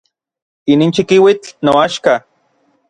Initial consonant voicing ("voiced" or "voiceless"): voiced